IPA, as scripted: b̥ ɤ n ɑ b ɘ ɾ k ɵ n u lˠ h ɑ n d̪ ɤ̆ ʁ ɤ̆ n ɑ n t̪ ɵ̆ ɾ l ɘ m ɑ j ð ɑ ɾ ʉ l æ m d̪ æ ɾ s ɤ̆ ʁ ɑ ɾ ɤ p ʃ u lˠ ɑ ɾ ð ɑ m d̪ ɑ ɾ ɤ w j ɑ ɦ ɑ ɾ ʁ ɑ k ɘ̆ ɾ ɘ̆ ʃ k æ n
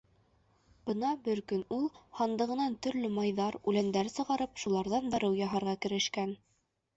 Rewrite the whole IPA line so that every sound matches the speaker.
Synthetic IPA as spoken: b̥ ɤ n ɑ b ɘ ɾ k ɵ n u lˠ h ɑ n d̪ ɤ̆ ʁ ɤ̆ n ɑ n t̪ ɵ̆ ɾ l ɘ m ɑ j ð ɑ ɾ ʉ l æ n d̪ æ ɾ s ɤ̆ ʁ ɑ ɾ ɤ p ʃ u lˠ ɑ ɾ ð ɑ n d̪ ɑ ɾ ɤ w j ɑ ɦ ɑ ɾ ʁ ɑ k ɘ̆ ɾ ɘ̆ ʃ k æ n